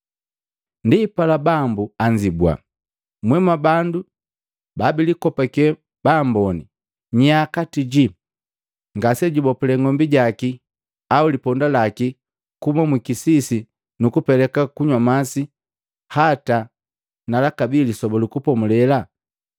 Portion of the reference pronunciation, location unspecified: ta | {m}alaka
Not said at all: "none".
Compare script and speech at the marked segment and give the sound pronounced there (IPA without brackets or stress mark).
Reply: n